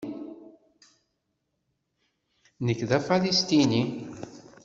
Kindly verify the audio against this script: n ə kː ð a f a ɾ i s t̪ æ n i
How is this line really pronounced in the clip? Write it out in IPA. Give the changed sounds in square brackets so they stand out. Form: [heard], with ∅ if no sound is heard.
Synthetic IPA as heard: n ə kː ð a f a [l] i s t̪ [i] n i

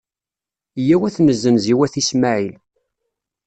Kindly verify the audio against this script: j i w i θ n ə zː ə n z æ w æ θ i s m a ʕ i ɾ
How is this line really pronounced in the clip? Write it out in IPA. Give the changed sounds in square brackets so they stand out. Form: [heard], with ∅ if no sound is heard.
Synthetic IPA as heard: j [æ] w [æ] θ n ə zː ə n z [i] w æ θ i s m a ʕ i [l]

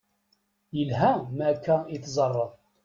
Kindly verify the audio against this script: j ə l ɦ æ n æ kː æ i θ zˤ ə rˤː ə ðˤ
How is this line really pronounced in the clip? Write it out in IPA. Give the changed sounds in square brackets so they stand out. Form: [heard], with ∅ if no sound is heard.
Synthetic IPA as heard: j ə l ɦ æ [m] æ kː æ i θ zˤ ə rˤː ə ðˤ

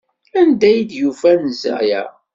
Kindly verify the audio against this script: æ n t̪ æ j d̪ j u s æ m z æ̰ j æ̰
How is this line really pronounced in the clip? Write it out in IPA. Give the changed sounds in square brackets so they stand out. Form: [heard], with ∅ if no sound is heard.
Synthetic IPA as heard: æ n [d̪] æ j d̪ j u [f] æ [n] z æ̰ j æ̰

